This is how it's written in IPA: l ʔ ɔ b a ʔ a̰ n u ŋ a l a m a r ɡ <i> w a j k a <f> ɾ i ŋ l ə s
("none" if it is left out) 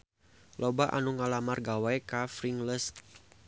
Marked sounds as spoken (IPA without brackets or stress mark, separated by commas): a, f